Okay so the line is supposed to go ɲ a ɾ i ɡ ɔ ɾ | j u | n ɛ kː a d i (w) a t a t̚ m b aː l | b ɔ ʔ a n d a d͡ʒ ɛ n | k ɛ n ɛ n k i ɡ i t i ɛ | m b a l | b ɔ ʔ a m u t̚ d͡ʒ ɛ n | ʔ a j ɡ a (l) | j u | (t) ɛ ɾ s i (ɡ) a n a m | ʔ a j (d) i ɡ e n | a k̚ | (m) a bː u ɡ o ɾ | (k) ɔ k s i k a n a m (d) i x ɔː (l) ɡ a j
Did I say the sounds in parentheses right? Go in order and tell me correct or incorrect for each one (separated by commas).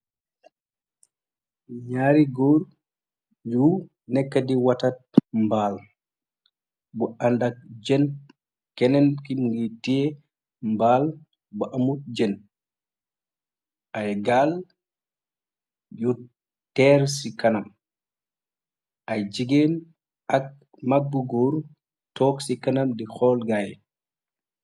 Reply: correct, correct, correct, incorrect, incorrect, correct, incorrect, correct, correct